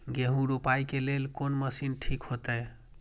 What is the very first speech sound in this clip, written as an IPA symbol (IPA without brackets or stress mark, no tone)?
ɡ